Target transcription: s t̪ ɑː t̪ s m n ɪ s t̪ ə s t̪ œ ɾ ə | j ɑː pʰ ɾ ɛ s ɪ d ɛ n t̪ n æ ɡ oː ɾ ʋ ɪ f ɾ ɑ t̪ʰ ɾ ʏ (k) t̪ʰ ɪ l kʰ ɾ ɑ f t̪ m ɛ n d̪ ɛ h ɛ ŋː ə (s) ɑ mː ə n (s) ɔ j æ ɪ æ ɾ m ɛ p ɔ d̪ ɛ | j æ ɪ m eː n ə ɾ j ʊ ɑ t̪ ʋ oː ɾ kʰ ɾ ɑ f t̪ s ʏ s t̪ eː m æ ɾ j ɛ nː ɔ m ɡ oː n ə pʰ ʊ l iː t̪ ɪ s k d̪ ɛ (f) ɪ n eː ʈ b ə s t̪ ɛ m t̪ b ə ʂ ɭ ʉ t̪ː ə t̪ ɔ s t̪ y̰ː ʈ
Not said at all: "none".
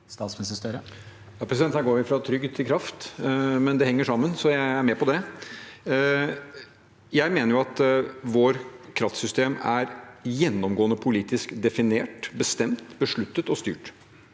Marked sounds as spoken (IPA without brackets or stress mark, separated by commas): ɡ, ʂ, s, f